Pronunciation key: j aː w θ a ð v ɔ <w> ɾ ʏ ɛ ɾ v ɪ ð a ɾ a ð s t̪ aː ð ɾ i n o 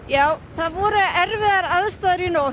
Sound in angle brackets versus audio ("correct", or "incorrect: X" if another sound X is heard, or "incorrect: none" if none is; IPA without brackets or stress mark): incorrect: none